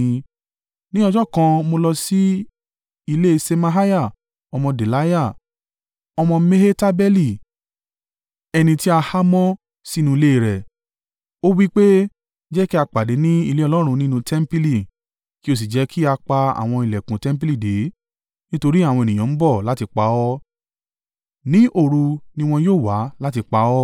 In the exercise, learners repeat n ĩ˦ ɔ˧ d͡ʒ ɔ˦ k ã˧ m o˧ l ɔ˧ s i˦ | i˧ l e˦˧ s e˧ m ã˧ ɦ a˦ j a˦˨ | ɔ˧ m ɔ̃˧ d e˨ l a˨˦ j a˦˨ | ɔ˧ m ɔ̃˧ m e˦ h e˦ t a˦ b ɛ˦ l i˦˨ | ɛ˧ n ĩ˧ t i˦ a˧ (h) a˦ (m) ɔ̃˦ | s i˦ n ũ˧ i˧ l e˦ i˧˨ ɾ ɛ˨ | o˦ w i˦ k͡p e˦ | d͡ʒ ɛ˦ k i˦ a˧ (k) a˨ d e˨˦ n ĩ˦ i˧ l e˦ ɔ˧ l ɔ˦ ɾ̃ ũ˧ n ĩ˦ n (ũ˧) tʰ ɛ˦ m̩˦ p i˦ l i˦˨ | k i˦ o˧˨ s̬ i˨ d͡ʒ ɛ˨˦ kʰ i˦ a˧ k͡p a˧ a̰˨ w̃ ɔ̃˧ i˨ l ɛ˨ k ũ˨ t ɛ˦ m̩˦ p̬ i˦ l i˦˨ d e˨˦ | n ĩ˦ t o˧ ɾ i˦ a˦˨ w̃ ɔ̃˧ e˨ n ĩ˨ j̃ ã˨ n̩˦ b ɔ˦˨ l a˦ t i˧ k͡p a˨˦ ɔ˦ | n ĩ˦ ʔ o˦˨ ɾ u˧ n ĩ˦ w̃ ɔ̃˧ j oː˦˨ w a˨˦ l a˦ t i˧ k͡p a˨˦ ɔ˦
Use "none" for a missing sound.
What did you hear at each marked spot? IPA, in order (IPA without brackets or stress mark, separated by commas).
h, m, k͡p, ũ˧